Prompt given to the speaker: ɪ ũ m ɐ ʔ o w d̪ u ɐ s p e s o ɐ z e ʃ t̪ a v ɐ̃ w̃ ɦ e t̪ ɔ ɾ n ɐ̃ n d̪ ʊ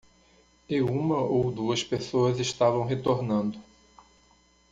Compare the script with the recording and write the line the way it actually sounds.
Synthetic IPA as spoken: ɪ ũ m ɐ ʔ o w d̪ u ɐ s p e s o ɐ z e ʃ t̪ a v ɐ̃ w̃ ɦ e t̪ o ɾ n ɐ̃ n d̪ ʊ